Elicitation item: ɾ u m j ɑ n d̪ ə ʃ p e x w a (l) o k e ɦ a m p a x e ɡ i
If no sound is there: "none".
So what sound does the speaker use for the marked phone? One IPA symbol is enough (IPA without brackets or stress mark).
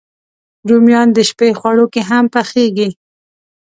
ɽ